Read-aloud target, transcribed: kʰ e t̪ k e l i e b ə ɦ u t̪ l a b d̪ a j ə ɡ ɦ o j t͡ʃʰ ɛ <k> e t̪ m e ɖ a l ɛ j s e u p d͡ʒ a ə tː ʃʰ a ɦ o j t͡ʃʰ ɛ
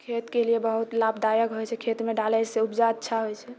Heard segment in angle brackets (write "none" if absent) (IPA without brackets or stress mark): kʰ